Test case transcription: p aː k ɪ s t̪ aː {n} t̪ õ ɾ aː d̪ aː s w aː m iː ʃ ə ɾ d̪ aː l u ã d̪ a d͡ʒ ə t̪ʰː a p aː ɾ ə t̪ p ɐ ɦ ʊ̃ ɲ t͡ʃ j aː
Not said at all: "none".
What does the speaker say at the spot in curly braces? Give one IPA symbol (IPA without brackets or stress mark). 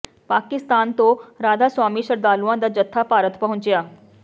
n